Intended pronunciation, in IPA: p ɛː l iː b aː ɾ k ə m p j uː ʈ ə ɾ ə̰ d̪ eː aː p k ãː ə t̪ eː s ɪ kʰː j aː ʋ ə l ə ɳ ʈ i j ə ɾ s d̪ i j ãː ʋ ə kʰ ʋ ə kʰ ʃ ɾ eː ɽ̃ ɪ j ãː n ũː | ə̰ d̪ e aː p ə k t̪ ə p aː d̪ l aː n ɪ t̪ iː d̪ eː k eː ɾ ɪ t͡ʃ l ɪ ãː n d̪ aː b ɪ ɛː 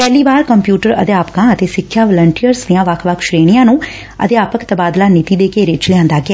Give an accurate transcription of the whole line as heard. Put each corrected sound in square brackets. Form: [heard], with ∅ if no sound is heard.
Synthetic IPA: p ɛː l iː b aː ɾ k ə m p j uː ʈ ə ɾ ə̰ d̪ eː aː p k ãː ə t̪ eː s ɪ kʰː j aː ʋ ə l ə ɳ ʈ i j ə ɾ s d̪ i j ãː ʋ ə kʰ ʋ ə kʰ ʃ ɾ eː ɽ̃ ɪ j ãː n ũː | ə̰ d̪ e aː p ə k t̪ ə [b] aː d̪ l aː n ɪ t̪ iː d̪ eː k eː ɾ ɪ t͡ʃ l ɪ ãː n d̪ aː [ɡ] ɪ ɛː